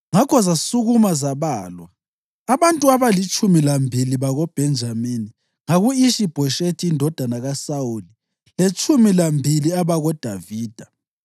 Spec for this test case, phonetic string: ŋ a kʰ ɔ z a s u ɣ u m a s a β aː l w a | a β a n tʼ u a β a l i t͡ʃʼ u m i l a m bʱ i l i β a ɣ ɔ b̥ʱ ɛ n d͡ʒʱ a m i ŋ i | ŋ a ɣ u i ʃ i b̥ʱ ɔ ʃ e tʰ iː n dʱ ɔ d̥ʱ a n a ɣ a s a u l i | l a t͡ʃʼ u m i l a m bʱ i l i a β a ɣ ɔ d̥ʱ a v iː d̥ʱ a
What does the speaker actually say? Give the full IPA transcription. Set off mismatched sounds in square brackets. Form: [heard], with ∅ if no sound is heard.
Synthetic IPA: ŋ a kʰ ɔ z a s u ɣ u m a [z] a β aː l w a | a β a n tʼ u a β a l i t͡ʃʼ u m i l a m bʱ i l i β a ɣ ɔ b̥ʱ ɛ n d͡ʒʱ a m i [n] i | ŋ a ɣ u i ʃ i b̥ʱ ɔ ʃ e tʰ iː n dʱ ɔ d̥ʱ a n a ɣ a s a u l i | l [e] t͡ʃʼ u m i l a m bʱ i l i a β a ɣ ɔ d̥ʱ a v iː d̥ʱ a